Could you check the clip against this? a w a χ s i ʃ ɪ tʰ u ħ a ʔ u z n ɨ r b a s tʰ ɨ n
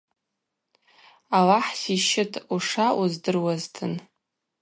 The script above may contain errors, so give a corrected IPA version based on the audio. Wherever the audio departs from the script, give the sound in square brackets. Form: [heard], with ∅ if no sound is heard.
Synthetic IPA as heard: a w a [ħ] s i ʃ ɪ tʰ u [ʂ] a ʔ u z [d] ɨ r [w] a [z] tʰ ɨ n